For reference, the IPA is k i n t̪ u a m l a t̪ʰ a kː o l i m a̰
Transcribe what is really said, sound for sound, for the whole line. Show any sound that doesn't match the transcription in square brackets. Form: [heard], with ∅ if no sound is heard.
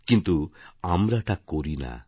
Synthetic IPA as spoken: k i n t̪ u a m [ɾ] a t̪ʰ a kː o [ɾ] i [n] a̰